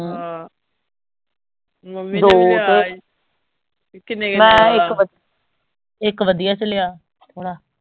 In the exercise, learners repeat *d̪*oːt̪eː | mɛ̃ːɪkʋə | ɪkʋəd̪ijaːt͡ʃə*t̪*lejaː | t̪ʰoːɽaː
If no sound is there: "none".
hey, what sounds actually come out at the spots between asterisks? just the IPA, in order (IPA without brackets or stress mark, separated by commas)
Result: d̪, none